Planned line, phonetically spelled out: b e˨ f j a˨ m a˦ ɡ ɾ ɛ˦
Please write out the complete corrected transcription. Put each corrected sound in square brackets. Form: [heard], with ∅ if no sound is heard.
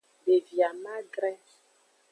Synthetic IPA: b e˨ [v] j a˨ m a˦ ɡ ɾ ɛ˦

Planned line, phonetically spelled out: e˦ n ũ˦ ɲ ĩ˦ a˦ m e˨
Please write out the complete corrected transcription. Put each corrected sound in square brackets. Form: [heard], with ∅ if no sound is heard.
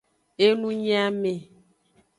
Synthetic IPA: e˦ n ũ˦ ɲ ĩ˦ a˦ m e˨

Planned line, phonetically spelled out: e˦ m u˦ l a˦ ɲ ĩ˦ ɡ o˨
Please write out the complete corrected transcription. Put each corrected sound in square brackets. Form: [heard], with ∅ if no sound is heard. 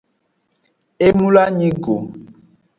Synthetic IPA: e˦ m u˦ l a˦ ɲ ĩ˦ ɡ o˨

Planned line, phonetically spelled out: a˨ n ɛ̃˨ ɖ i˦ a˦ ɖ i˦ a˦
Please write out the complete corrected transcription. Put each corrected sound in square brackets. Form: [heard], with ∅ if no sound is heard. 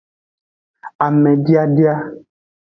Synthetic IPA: a˨ [m] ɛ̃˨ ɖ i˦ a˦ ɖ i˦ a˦

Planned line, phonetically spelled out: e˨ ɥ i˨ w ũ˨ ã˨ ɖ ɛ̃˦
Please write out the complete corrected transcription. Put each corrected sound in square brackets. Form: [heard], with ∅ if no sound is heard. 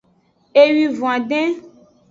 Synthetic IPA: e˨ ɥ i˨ [v] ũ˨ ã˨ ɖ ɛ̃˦

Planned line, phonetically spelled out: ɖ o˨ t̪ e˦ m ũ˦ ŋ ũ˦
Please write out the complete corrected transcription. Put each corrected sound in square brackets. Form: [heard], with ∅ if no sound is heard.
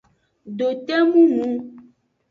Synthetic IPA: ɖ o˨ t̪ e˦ m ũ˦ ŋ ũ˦

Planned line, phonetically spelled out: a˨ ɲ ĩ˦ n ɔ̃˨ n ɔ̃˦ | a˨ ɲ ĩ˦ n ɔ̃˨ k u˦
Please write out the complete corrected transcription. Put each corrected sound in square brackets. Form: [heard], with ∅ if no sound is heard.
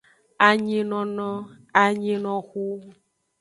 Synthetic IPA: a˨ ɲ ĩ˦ n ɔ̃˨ n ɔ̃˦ | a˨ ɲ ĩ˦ n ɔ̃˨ [x] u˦

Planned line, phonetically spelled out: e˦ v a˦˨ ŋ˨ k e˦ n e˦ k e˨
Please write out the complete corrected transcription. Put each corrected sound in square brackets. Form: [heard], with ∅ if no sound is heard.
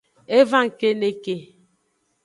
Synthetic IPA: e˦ v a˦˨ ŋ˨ k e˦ n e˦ k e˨

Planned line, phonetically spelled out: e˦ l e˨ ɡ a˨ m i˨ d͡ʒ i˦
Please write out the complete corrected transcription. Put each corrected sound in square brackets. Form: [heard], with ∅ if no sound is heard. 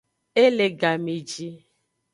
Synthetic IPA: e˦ l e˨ ɡ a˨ m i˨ d͡ʒ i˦

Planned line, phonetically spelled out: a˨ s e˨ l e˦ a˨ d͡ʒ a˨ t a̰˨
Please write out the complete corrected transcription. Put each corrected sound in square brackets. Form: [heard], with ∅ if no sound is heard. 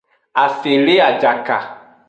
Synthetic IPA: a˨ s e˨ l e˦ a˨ d͡ʒ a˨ [k] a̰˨

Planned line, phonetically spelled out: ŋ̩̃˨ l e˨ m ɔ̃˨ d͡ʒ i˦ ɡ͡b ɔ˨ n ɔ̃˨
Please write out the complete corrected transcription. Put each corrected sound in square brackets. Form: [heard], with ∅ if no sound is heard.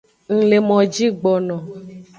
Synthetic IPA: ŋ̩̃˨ l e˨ m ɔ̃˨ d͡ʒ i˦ ɡ͡b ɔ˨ n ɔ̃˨

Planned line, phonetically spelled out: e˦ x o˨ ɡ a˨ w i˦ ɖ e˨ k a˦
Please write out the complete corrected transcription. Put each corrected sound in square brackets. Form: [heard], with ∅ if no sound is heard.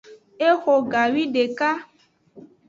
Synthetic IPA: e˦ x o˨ ɡ a˨ w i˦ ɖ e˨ k a˦

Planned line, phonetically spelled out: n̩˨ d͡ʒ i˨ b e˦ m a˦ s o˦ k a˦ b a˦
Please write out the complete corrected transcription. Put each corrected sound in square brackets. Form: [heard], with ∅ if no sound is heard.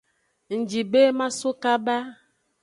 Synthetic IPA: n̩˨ d͡ʒ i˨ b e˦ m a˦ s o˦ k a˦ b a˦

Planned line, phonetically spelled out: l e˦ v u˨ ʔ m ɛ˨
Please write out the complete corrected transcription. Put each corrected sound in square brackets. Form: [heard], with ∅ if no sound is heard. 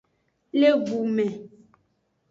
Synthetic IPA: l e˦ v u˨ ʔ m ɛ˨

